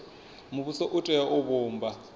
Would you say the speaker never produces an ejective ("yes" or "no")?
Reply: no